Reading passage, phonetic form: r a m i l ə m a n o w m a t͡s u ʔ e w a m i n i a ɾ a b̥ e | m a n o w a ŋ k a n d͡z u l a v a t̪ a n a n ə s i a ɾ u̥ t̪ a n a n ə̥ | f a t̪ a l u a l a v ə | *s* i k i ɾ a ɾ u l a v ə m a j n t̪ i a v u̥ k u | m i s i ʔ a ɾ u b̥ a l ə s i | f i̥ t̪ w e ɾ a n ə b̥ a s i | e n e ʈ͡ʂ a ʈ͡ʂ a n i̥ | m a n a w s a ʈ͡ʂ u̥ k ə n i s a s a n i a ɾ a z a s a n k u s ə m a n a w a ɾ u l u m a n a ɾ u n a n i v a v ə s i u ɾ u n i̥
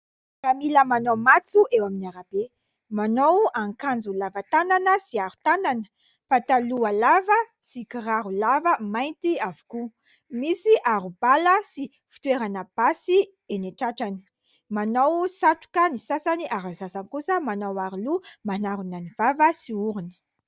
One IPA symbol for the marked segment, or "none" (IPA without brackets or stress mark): s